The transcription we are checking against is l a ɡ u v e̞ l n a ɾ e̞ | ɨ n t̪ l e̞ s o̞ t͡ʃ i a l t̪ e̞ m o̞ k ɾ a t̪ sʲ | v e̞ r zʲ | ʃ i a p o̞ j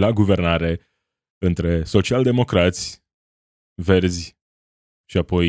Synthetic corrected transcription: l a ɡ u v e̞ r n a ɾ e̞ | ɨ n t̪ ɾ e̞ s o̞ t͡ʃ i a l d̪ e̞ m o̞ k ɾ a t̪ sʲ | v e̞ r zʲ | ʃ i a p o̞ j